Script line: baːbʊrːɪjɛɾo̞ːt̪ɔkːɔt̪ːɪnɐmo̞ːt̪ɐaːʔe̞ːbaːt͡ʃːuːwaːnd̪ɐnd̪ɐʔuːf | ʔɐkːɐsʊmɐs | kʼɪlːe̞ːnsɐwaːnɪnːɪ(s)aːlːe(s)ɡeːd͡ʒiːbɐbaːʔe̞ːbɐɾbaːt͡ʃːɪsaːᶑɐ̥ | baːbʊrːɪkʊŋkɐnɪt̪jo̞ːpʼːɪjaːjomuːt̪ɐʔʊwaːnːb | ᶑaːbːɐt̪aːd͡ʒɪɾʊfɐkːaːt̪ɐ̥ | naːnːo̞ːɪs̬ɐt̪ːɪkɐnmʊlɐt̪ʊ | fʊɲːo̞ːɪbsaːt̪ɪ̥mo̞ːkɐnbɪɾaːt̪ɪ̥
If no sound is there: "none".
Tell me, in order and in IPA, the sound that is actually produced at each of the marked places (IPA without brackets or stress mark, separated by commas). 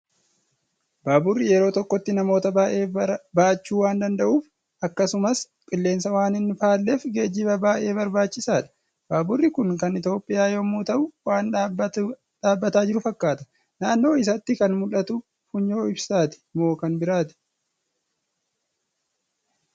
f, f